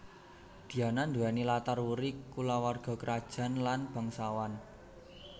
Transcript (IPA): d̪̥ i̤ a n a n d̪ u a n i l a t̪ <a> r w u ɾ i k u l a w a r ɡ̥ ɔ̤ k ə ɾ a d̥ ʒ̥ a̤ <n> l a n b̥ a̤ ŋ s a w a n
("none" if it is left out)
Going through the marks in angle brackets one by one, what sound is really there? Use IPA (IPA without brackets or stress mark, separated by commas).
a, n